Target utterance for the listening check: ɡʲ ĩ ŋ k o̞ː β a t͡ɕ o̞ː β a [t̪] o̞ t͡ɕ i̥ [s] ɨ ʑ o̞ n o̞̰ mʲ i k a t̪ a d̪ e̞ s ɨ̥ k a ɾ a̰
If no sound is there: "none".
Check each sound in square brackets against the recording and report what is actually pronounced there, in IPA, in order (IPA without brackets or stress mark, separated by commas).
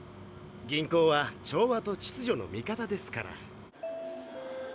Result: t̪, t͡s